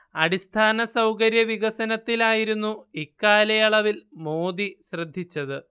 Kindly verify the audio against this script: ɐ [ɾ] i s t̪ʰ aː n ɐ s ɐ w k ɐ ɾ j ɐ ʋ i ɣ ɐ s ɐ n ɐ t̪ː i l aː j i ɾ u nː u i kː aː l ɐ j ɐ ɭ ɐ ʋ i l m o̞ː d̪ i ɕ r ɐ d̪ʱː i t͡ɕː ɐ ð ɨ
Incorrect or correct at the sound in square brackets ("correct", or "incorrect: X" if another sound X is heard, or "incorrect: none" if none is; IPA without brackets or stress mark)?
incorrect: ɽ